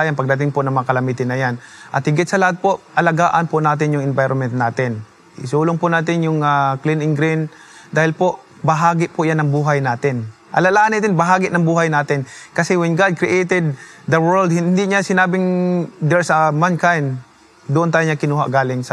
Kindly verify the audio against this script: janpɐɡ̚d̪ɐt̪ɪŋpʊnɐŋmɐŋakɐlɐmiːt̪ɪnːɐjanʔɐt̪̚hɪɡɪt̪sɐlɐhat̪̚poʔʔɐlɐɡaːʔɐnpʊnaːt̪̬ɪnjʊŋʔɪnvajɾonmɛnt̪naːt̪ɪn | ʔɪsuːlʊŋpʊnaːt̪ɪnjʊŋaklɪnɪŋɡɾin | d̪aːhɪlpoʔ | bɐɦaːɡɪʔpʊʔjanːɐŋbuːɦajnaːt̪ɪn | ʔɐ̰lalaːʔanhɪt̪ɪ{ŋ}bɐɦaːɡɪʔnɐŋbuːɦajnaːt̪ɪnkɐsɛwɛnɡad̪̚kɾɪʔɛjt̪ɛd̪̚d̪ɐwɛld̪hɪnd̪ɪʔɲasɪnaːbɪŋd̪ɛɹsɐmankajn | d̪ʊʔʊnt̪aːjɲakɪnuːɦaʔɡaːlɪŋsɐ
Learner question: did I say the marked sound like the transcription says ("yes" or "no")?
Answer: no